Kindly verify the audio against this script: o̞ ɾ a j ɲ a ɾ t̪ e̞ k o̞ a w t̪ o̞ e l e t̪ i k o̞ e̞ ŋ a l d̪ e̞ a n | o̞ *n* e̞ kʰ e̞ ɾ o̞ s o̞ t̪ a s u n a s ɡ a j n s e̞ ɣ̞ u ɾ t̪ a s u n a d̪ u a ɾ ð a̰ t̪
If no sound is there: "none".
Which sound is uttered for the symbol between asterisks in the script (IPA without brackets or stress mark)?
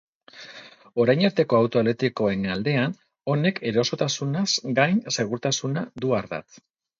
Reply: n